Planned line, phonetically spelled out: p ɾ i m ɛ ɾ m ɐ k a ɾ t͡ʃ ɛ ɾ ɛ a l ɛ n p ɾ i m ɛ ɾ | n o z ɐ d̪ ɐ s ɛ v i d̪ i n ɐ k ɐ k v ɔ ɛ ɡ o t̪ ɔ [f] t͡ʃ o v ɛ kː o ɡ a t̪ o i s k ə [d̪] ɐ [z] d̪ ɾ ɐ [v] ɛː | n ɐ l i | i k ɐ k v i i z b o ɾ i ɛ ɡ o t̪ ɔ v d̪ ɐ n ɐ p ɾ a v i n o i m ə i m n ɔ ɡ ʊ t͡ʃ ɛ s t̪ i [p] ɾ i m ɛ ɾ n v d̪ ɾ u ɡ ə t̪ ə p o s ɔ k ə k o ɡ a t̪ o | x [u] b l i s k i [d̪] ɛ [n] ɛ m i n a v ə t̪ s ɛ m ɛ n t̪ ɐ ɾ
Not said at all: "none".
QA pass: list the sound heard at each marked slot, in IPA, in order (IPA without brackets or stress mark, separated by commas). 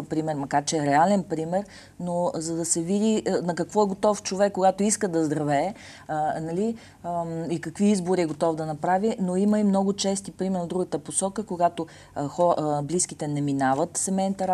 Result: f, d̪, z, v, p, ɔ, t̪, n